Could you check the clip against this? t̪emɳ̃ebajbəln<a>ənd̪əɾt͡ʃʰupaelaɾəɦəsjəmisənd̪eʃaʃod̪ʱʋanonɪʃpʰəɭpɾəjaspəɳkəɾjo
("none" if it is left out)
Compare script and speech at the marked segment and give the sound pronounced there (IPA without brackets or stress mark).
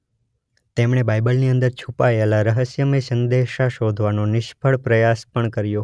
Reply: i